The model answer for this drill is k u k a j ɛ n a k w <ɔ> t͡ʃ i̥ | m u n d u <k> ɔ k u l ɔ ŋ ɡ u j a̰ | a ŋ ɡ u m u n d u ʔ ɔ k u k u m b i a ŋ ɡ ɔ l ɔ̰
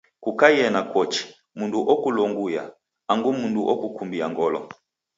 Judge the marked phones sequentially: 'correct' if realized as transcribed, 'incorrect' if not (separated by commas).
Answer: correct, incorrect